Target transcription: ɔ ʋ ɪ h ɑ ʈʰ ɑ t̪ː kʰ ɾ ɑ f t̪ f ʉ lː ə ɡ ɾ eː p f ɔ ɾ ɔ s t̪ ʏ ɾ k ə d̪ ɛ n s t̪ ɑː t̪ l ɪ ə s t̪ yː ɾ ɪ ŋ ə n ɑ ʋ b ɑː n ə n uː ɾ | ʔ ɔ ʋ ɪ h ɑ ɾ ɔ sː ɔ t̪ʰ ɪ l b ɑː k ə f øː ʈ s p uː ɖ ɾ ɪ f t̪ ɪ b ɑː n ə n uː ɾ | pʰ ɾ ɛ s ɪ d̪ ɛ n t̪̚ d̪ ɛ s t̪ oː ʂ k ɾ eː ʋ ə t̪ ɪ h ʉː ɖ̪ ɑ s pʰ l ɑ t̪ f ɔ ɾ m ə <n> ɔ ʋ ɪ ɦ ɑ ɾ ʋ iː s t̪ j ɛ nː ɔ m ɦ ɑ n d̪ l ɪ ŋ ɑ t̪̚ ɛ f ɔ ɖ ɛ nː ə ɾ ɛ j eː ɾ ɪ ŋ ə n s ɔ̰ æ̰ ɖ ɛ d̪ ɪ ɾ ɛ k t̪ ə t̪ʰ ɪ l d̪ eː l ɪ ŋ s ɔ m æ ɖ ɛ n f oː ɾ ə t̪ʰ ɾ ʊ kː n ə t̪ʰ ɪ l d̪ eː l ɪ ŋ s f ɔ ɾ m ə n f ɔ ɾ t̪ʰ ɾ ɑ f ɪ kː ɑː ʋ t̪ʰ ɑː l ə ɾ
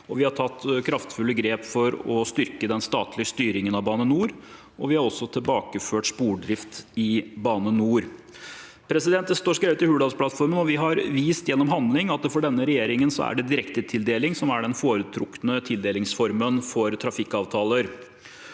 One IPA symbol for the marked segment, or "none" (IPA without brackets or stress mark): n